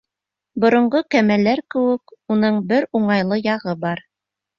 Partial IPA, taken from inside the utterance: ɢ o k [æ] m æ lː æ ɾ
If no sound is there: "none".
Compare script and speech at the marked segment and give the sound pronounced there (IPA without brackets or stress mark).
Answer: æ